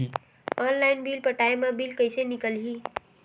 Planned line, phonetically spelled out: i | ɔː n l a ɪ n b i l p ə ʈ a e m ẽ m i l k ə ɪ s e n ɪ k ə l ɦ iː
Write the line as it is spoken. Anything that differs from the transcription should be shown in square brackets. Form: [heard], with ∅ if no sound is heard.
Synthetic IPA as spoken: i | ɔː n l a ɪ n b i l p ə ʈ a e m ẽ [b] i l k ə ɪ s e n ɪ k ə l ɦ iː